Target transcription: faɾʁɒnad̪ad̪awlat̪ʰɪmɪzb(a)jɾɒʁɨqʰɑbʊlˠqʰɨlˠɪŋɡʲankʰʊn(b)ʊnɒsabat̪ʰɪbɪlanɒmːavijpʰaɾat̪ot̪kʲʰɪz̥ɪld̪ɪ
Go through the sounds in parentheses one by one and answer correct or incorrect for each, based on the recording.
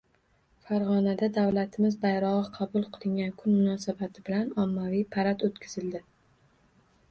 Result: correct, incorrect: m

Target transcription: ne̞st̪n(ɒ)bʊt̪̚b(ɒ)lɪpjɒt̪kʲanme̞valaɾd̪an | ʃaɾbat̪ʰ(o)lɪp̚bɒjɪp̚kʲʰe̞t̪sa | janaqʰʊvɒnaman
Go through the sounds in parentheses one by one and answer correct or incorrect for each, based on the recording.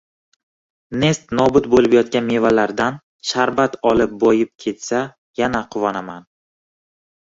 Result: correct, incorrect: o, incorrect: ɒ

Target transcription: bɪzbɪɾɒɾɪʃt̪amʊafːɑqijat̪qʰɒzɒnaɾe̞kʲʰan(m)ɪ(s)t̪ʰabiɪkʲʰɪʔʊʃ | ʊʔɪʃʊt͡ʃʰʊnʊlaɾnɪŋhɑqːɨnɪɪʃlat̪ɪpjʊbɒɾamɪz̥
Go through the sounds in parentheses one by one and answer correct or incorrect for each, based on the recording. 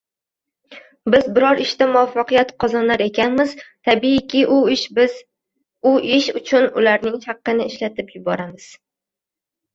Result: correct, incorrect: z

